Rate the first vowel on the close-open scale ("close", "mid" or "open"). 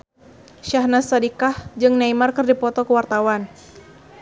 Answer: open